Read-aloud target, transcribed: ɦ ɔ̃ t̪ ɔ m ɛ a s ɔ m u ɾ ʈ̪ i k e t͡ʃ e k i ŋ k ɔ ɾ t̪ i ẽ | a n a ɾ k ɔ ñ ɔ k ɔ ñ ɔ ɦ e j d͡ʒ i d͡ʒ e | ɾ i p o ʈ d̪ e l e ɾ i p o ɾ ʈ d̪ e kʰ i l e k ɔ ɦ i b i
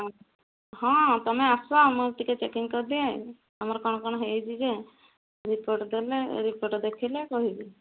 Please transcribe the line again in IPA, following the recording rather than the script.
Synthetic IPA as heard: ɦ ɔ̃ t̪ ɔ m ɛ a s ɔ m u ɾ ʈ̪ i k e t͡ʃ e k i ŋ k ɔ ɾ d̪ i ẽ | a m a ɾ k ɔ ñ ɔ k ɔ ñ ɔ ɦ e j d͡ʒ i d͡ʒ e | ɾ i p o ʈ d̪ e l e ɾ i p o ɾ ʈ d̪ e kʰ i l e k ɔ ɦ i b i